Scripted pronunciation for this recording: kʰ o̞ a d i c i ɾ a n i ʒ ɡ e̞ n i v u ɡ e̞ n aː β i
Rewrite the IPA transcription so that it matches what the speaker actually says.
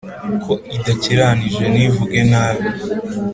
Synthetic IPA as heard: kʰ o̞ i d a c i ɾ a n i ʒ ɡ e̞ n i v u ɡ e̞ n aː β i